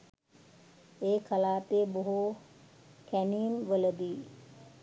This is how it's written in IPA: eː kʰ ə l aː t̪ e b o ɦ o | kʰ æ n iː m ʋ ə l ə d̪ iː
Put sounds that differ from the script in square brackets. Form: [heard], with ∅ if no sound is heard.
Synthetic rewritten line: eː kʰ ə l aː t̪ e b o ɦ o | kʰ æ n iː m ʋ ə l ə d̪ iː